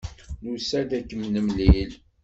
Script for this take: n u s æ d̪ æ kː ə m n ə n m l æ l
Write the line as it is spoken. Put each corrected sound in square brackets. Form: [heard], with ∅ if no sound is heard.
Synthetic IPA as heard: n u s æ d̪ æ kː ə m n ə [∅] m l [i] l